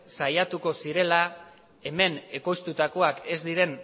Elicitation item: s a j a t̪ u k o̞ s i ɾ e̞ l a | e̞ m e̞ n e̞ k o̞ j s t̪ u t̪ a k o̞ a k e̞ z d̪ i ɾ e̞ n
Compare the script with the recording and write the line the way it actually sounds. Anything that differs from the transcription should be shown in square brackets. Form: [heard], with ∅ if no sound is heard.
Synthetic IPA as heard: s a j a t̪ u k o̞ s i ɾ e̞ l a | e̞ m e̞ n e̞ k o̞ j s t̪ u t̪ a k o̞ a k e̞ z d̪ i ɾ e̞ n